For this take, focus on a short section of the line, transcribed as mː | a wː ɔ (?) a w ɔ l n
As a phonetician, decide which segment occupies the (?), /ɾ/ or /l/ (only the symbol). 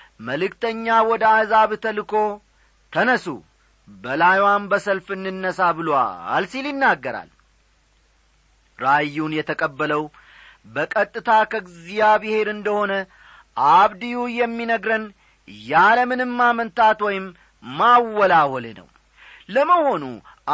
l